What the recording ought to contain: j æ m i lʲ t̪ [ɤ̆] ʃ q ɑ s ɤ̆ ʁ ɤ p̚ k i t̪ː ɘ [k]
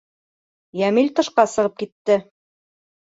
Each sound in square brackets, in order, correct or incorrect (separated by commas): correct, incorrect